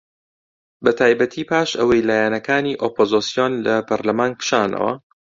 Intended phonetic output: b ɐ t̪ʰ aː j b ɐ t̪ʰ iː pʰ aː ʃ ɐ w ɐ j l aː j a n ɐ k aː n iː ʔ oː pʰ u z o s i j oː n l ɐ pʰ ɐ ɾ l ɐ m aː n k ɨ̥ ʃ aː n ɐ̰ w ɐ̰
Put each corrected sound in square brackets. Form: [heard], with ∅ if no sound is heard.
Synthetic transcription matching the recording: b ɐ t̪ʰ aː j b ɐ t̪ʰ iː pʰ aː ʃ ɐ w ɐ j l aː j a n ɐ k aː n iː ʔ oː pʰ [o] z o s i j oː n l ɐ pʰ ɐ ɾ l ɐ m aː n k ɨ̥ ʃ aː n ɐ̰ w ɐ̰